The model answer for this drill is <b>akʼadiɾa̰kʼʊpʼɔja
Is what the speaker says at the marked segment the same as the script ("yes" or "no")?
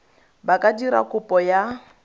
yes